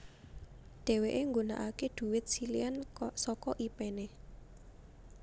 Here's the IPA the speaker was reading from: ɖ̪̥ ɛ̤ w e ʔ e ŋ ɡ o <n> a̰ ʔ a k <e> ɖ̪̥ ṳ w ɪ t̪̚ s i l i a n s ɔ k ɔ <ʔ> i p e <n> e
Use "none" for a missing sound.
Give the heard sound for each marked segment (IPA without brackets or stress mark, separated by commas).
n, e, ʔ, n